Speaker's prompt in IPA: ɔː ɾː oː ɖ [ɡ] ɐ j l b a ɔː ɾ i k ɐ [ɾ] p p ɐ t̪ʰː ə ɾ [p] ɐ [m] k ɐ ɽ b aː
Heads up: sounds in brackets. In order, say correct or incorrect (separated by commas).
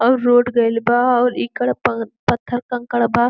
correct, incorrect, incorrect, incorrect